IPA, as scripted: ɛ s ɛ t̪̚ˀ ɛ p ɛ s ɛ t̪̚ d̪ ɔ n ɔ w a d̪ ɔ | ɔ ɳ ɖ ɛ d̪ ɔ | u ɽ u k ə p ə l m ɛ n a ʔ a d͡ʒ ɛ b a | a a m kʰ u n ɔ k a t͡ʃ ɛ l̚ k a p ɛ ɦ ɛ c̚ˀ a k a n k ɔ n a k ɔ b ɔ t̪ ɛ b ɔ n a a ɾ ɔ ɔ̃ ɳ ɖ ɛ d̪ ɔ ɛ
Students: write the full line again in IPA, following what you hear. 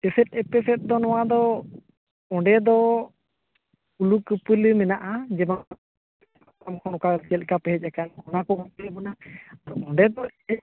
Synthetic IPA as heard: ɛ s ɛ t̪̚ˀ ɛ p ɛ s ɛ t̪̚ d̪ ɔ n ɔ w a d̪ ɔ | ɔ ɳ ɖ ɛ d̪ ɔ | u l u k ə p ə l m ɛ n a ʔ a d͡ʒ ɛ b a | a a m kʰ ɔ n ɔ k a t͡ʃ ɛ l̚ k a p ɛ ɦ ɛ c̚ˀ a k a n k ɔ n a k ɔ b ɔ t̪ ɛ b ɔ n a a ɾ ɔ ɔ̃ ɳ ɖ ɛ d̪ ɔ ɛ